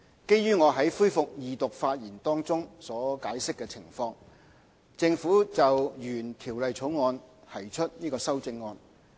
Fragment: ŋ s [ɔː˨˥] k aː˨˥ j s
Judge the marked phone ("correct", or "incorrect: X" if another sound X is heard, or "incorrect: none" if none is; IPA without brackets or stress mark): correct